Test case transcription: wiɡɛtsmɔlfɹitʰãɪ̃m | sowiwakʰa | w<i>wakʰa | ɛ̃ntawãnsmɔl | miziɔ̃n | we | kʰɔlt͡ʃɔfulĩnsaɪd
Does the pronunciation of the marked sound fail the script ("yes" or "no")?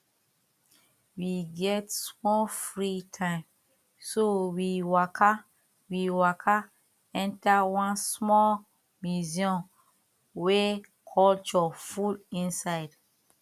no